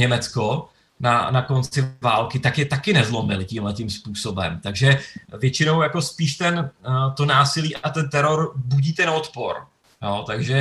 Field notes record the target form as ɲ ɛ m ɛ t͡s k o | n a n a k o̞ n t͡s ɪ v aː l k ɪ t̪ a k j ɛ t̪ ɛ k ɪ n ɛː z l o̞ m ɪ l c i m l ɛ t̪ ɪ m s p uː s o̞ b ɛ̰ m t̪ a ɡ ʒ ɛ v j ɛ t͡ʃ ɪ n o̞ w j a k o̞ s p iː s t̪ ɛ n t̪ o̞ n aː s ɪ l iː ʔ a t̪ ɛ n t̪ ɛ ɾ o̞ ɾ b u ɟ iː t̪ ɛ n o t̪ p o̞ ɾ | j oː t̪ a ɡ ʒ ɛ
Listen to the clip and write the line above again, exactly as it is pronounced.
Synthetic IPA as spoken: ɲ ɛ m ɛ t͡s k o | n a n a k o̞ n t͡s ɪ v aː l k ɪ t̪ a k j ɛ t̪ a k ɪ n ɛ z l o̞ m ɪ l c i m l ɛ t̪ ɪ m s p uː s o̞ b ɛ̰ m t̪ a ɡ ʒ ɛ v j ɛ t͡ʃ ɪ n o̞ w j a k o̞ s p iː ʃ t̪ ɛ n t̪ o̞ n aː s ɪ l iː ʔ a t̪ ɛ n t̪ ɛ ɾ o̞ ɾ b u ɟ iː t̪ ɛ n o t̪ p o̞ ɾ | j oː t̪ a ɡ ʒ ɛ